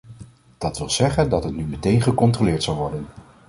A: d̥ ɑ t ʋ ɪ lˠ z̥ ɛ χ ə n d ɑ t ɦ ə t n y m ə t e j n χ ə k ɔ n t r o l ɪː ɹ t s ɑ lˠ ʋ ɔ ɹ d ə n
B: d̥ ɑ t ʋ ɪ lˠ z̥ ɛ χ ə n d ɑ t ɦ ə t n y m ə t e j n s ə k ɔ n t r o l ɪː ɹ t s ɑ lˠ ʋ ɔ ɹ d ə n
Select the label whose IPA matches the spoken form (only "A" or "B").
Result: A